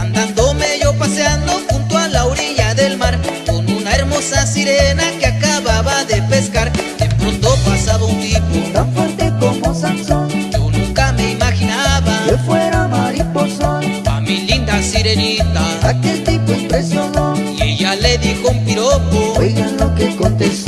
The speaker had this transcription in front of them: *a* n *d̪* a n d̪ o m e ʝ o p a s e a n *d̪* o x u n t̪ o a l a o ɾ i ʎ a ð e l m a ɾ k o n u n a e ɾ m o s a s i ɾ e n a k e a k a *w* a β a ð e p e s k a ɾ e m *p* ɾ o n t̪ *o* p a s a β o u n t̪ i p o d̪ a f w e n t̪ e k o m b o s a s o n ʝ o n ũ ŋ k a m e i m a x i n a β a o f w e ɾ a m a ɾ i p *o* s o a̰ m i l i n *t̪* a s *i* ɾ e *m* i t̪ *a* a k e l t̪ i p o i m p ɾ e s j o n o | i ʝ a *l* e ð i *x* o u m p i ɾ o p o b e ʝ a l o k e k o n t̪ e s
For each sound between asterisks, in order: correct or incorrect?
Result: correct, correct, correct, incorrect, correct, correct, correct, incorrect, correct, incorrect, correct, correct, correct

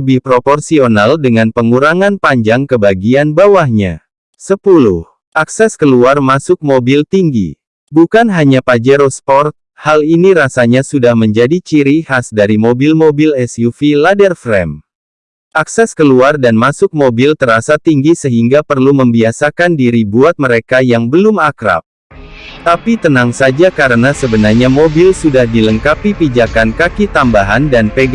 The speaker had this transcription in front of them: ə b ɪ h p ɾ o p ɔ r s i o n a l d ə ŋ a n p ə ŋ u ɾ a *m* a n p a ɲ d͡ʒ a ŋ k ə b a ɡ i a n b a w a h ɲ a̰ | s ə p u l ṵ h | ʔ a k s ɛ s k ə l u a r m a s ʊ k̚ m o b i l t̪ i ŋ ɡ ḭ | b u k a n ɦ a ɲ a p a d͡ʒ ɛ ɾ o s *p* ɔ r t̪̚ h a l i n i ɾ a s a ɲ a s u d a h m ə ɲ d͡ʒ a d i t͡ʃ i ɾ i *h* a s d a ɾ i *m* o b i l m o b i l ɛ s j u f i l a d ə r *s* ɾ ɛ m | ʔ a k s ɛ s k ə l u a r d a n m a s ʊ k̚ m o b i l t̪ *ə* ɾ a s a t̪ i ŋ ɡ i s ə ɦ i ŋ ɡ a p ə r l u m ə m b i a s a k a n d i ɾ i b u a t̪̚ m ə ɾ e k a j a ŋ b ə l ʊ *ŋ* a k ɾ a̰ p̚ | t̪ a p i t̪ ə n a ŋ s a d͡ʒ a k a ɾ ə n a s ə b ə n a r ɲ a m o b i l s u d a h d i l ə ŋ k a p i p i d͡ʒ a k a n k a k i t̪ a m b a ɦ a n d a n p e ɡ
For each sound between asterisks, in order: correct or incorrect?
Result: incorrect, correct, correct, correct, incorrect, correct, incorrect

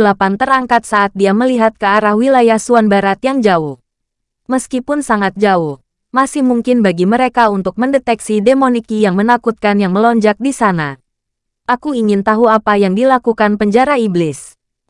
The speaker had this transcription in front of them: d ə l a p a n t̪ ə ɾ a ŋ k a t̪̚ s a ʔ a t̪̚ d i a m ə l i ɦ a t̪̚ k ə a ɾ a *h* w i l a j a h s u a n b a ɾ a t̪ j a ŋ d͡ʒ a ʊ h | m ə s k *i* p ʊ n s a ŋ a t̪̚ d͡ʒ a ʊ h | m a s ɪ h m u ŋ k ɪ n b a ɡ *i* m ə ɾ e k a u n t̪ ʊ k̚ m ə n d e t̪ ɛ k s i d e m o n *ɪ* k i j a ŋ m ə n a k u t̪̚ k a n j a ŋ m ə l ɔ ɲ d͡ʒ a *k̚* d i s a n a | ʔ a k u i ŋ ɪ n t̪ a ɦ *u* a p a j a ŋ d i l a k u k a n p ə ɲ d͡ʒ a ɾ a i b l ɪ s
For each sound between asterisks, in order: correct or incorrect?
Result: correct, correct, correct, incorrect, correct, correct

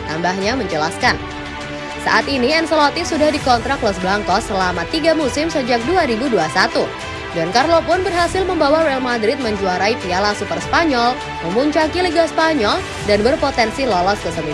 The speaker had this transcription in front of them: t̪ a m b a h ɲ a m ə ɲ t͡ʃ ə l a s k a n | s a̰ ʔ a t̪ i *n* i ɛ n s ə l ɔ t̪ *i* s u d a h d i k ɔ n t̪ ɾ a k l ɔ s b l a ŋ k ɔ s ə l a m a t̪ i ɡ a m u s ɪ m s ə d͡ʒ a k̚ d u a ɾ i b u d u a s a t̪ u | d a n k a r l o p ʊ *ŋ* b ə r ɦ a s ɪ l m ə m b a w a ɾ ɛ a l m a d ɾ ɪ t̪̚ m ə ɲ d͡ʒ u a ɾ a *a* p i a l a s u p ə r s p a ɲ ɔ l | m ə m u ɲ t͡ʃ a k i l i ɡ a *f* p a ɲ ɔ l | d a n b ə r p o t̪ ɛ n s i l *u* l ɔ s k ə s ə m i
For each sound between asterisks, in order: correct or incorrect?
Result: correct, correct, incorrect, incorrect, incorrect, incorrect

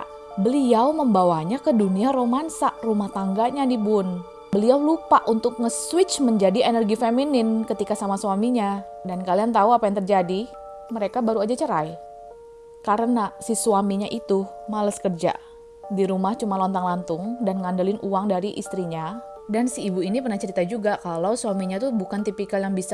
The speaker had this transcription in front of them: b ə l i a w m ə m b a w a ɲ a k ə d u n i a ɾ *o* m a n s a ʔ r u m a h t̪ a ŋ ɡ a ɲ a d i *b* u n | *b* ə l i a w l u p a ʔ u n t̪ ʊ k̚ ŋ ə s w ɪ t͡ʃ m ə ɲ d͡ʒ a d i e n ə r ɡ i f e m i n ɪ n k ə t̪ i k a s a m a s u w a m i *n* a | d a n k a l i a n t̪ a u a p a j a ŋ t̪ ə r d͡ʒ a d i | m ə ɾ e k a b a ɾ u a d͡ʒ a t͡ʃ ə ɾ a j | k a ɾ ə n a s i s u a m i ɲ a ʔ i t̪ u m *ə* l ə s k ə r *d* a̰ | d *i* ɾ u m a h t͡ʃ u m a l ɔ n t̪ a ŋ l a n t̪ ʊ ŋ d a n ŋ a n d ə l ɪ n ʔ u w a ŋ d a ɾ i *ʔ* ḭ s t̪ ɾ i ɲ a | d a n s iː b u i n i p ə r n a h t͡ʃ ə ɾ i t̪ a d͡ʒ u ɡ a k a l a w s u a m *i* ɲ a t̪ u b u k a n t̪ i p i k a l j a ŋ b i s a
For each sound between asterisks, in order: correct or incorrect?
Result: correct, correct, correct, incorrect, incorrect, incorrect, correct, correct, correct

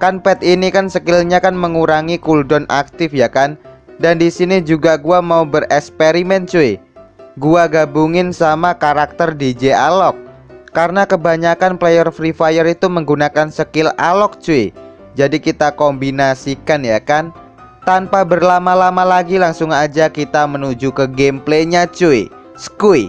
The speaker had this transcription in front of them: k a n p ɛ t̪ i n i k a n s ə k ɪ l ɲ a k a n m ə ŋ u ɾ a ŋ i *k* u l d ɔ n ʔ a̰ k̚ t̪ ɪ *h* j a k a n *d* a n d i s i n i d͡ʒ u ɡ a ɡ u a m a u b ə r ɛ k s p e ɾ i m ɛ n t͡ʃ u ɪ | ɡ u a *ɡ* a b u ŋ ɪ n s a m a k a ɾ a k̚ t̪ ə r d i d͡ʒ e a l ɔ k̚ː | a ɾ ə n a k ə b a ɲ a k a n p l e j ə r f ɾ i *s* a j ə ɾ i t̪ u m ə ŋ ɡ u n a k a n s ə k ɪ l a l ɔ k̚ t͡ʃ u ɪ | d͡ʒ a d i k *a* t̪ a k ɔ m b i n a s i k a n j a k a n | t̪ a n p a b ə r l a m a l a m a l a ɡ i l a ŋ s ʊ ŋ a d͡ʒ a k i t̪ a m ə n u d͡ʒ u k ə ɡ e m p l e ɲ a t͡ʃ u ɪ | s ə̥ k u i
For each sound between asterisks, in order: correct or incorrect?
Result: correct, incorrect, correct, correct, incorrect, incorrect

